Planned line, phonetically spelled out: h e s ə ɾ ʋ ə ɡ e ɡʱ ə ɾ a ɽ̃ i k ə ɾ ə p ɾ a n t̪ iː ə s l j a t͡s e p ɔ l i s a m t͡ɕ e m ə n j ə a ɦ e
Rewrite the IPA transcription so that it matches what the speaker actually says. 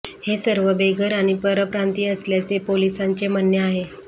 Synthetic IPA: h e s ə ɾ ʋ ə b e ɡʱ ə ɾ a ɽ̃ i p ə ɾ ə p ɾ a n t̪ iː ə s l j a t͡s e p o l i s a ɲ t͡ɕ e m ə n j ə a ɦ e